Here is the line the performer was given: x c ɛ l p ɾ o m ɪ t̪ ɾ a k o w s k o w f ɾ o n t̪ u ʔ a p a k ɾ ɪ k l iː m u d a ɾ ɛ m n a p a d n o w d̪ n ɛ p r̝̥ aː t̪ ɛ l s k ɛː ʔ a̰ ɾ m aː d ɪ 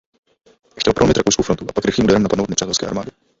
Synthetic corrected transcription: x c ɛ l p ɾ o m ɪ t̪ ɾ a k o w s k o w f ɾ o n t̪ u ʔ a p a k ɾ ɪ x l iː m u d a ɾ ɛ m n a p a d n o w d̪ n ɛ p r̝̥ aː t̪ ɛ l s k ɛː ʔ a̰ ɾ m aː d ɪ

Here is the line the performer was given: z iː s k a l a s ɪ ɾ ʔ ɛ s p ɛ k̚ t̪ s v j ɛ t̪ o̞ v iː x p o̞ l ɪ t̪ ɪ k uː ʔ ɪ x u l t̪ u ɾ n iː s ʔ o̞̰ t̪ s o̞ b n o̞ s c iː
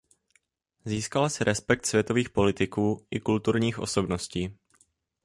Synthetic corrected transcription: z iː s k a l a s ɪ ɾ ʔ ɛ s p ɛ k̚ t̪ s v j ɛ t̪ o̞ v iː x p o̞ l ɪ t̪ ɪ k uː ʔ ɪ k u l t̪ u ɾ ɲ iː x ʔ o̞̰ s o̞ b n o̞ s c iː

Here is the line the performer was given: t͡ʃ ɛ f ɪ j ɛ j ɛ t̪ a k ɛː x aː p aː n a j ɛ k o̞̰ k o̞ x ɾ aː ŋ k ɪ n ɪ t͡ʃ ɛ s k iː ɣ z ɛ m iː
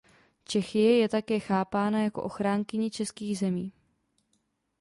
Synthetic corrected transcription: t͡ʃ ɛ x ɪ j ɛ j ɛ t̪ a k ɛː x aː p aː n a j a k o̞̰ ʔ o̞ x ɾ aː ŋ k ɪ ɲ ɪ t͡ʃ ɛ s k iː ɣ z ɛ m iː

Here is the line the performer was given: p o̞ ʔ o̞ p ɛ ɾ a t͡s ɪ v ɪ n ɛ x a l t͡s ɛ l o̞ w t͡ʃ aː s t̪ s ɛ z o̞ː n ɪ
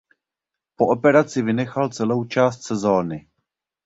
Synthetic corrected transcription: p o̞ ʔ o̞ p ɛ ɾ a t͡s ɪ v ɪ n ɛ x a l t͡s ɛ l o̞ w t͡ʃ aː s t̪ s ɛ z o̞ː n ɪ

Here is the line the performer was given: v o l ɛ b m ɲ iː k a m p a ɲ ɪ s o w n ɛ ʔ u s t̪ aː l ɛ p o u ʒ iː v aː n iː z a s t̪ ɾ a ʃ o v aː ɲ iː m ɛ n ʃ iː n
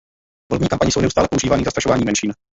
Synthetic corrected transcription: v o l ɛ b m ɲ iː k a m p a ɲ ɪ s o w n ɛ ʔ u s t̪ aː l ɛ p o u ʒ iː v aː n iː z a s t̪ ɾ a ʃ o v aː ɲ iː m ɛ n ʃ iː n

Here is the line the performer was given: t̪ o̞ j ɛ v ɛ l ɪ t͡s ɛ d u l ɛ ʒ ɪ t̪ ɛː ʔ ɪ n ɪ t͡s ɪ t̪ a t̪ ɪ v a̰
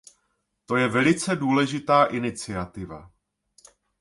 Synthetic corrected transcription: t̪ o̞ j ɛ v ɛ l ɪ t͡s ɛ d uː l ɛ ʒ ɪ t̪ aː ʔ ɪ n ɪ t͡s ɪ a t̪ ɪ v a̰

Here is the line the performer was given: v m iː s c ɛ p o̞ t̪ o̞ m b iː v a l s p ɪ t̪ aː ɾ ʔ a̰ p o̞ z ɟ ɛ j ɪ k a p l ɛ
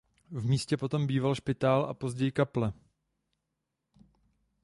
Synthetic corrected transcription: v m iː s c ɛ p o̞ t̪ o̞ m b iː v a l ʃ p ɪ t̪ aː l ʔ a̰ p o̞ z ɟ ɛ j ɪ k a p l ɛ

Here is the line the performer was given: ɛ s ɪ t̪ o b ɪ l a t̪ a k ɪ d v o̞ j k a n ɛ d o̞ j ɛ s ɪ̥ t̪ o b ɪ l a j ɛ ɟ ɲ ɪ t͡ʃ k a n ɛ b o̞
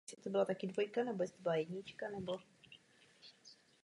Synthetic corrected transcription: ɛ s ɪ t̪ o b ɪ l a t̪ a k ɪ d v o̞ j k a n ɛ b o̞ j ɛ s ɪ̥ t̪ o b ɪ l a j ɛ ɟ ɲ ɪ t͡ʃ k a n ɛ b o̞

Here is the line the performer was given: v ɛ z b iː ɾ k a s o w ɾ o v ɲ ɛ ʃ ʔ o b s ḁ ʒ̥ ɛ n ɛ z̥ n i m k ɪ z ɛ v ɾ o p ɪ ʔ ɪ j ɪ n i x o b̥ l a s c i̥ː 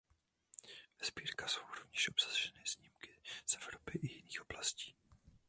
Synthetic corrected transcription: v ɛ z b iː ɾ k a s o w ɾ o v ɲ ɛ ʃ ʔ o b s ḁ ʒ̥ ɛ n ɛ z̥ ɲ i m k ɪ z ɛ v ɾ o p ɪ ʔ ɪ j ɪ n iː x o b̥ l a s c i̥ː

